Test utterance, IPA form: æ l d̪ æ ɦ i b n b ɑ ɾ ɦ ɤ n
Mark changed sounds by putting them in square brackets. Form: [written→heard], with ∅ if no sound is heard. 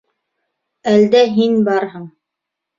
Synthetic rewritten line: æ l d̪ æ ɦ i [b→∅] n b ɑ ɾ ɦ ɤ [n→ɴ]